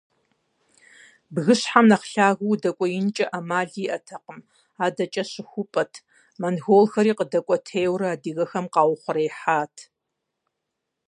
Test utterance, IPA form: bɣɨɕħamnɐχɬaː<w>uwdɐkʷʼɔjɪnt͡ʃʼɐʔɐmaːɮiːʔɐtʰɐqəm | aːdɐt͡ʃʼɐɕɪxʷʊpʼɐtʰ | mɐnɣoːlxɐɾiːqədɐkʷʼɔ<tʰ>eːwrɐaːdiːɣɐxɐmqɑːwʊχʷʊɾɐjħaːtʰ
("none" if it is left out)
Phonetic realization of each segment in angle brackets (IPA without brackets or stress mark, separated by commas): ɣ, tʰ